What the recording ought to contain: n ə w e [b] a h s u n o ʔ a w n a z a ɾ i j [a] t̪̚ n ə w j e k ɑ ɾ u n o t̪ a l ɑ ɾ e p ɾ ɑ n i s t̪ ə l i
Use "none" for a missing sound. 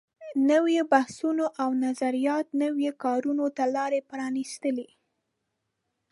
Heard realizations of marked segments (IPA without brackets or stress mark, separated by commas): b, ɑ